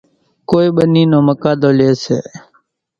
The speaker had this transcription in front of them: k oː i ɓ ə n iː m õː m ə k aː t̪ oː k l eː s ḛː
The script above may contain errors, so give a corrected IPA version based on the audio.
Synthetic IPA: k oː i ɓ ə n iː n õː m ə k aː d̪ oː l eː s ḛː

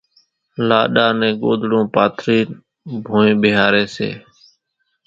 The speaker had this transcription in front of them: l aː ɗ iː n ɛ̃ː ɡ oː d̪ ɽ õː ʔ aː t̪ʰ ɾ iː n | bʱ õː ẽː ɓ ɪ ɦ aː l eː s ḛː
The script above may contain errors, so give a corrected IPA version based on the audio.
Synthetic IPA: l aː ɗ aː n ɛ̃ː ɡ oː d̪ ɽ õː p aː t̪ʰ ɾ iː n | bʱ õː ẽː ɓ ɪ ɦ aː ɾ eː s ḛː

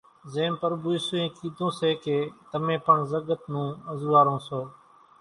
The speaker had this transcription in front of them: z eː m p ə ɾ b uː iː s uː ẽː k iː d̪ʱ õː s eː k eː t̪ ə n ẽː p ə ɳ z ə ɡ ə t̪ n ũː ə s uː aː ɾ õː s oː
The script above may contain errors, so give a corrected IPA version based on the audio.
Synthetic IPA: z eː m p ə ɾ b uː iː s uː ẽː k iː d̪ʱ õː s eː k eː t̪ ə m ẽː p ə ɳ z ə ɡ ə t̪ n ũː ə z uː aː ɾ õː s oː

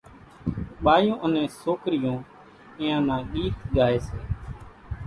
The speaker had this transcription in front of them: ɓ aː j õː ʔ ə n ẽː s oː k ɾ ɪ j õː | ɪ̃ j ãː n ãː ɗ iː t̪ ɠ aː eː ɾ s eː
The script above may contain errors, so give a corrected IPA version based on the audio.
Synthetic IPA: ɓ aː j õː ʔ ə n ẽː s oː k ɾ ɪ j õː | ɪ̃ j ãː n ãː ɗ iː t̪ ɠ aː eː s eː

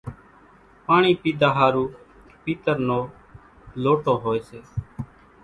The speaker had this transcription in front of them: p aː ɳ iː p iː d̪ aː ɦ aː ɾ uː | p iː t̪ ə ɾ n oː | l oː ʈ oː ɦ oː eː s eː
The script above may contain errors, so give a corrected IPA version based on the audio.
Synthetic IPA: p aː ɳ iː p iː d̪ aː ɦ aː ɾ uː | p iː t̪ ə ɾ n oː | l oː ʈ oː ɦ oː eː s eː

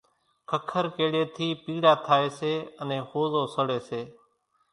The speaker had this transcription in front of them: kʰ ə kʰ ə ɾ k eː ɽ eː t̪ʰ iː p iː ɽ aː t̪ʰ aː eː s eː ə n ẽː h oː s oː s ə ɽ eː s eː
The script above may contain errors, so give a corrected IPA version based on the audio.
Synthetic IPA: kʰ ə kʰ ə ɾ k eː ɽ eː t̪ʰ iː p iː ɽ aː t̪ʰ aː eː s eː ə n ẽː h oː z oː s ə ɽ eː s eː

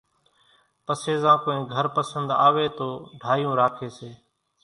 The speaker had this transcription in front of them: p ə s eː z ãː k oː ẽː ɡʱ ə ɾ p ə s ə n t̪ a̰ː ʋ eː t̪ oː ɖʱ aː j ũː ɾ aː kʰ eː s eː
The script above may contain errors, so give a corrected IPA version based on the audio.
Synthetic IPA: p ə s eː z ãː k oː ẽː ɡʱ ə ɾ p ə s ə n d̪ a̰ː ʋ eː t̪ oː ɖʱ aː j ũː ɾ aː kʰ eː s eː

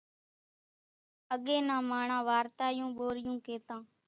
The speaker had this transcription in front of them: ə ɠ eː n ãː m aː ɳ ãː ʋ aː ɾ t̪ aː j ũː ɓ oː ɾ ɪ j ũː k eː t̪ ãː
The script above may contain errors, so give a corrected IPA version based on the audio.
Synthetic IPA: ə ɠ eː n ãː m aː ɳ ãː ʋ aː ɾ t̪ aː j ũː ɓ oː ɾ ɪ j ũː k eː t̪ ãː

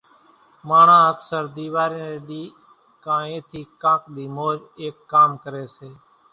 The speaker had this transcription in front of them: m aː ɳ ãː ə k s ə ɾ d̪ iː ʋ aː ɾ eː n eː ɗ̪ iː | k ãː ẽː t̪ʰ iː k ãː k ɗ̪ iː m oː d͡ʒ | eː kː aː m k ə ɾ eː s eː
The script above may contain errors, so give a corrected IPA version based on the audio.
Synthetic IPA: m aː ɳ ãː ə k s ə ɾ d̪ iː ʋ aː ɾ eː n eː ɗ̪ iː | k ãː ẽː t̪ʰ iː k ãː k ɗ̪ iː m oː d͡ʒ | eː kː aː m k ə ɾ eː s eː

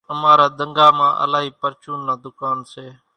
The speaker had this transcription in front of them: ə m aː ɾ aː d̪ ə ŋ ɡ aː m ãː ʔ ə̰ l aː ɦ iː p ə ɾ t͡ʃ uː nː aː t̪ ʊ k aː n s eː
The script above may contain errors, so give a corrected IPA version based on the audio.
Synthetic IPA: ə m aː ɾ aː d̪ ə ŋ ɡ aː m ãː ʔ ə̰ l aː ɦ iː p ə ɾ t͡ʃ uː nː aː d̪ ʊ k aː n s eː

